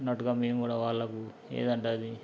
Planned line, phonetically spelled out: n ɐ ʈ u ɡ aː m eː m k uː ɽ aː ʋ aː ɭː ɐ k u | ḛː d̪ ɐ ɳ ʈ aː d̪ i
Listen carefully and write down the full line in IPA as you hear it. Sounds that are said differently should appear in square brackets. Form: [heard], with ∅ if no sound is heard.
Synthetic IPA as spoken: n ɐ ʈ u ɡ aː m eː m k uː ɽ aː ʋ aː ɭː ɐ k u | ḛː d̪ ɐ ɳ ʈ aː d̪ i